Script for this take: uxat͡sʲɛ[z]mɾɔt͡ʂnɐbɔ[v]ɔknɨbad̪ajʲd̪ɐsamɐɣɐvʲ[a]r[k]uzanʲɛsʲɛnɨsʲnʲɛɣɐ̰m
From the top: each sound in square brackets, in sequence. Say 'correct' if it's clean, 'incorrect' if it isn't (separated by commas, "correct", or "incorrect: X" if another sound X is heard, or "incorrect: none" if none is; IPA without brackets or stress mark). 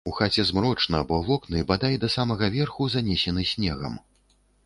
correct, correct, incorrect: ɛ, incorrect: x